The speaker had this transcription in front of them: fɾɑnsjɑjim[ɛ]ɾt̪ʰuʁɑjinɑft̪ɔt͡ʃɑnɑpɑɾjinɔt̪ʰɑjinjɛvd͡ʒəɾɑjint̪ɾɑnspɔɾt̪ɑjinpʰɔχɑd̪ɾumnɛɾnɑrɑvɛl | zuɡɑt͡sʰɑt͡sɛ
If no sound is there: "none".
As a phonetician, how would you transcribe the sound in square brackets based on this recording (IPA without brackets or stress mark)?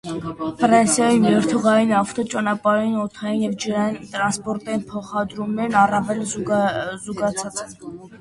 ɛ